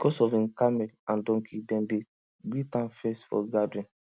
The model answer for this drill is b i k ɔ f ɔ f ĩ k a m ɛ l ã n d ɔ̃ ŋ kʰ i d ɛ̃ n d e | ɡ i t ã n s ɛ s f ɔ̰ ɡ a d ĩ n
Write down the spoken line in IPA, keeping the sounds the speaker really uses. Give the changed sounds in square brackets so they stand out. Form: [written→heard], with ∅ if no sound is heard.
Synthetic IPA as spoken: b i k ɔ [f→s] ɔ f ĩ k a m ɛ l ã n d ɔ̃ ŋ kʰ i d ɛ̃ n d e | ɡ i t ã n [s→f] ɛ s f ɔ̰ ɡ a d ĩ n